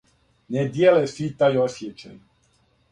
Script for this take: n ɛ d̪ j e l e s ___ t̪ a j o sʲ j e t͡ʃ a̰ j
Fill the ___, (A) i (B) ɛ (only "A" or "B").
A